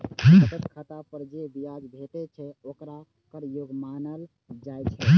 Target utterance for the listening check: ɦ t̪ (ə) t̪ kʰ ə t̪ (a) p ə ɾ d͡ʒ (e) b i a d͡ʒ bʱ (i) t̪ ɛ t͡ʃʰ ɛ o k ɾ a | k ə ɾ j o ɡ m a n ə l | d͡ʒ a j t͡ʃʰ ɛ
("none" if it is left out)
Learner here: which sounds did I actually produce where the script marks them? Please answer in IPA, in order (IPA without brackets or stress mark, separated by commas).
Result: ə, a, e, e